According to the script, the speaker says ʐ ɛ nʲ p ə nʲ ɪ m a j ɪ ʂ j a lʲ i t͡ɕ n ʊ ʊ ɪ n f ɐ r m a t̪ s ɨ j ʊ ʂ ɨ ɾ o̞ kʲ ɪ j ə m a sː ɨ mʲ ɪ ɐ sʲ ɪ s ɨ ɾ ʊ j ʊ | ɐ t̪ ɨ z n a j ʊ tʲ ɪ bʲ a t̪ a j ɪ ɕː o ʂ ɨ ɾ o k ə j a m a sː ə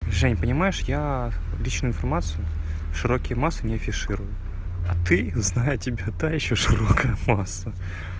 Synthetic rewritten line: ʐ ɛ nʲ p ə nʲ ɪ m a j ɪ ʂ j a lʲ i t͡ɕ n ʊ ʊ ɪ n f ɐ r m a t̪ s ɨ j ʊ ʂ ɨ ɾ o̞ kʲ ɪ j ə m a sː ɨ nʲ ɪ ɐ fʲ ɪ ʂ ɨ ɾ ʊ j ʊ | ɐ t̪ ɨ z n a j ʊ tʲ ɪ bʲ a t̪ a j ɪ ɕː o ʂ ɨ ɾ o k ə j ə m a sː ə